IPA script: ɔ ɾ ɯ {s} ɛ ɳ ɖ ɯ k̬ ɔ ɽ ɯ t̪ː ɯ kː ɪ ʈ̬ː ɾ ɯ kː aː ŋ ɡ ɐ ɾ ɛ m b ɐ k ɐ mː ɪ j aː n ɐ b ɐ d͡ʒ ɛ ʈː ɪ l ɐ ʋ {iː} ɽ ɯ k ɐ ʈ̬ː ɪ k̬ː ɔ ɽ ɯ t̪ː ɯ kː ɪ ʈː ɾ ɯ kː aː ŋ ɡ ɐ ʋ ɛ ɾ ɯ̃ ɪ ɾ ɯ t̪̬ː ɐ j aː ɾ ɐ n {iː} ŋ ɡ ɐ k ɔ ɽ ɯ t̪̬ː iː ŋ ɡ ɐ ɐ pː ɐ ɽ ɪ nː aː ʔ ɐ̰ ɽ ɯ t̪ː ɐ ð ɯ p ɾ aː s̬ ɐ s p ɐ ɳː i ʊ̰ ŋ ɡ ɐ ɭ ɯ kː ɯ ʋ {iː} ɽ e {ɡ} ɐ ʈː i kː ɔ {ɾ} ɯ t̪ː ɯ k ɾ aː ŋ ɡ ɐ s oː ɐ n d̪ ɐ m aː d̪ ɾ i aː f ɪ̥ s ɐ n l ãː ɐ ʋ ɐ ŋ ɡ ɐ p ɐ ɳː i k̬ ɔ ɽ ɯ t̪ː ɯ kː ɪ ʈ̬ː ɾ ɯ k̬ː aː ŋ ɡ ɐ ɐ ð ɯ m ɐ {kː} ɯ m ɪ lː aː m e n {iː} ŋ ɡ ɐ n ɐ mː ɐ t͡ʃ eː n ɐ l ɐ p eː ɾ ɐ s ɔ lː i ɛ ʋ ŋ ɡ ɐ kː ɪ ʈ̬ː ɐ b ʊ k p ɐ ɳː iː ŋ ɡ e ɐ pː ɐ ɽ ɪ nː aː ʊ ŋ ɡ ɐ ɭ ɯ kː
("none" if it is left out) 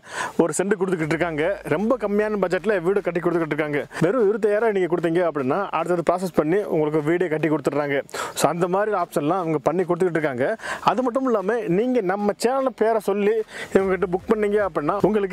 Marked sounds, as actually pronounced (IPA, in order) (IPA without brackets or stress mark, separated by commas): s, iː, iː, iː, k, ɽ, ʈː, iː